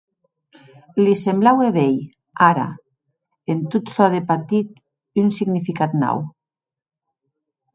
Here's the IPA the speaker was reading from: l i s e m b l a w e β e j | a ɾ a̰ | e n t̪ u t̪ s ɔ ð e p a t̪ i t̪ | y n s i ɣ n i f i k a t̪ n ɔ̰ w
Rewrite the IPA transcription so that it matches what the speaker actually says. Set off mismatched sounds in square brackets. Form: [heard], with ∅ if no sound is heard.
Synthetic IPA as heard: l i s e m b l a w e β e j | a ɾ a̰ | e n t̪ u t̪ s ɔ ð e p a t̪ i t̪ | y n s i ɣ n i f i k a t̪ n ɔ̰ w